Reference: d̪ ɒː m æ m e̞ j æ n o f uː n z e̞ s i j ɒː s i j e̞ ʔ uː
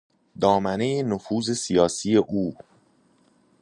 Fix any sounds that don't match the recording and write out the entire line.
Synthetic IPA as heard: d̪ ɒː m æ n e̞ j e n o f uː z e̞ s i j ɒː s i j e̞ ʔ uː